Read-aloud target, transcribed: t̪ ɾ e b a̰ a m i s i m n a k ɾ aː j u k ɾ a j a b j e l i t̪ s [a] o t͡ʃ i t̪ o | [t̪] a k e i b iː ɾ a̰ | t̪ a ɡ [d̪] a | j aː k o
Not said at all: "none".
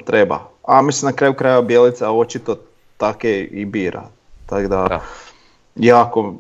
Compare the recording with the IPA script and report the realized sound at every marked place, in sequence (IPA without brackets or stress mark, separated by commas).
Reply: a, t̪, d̪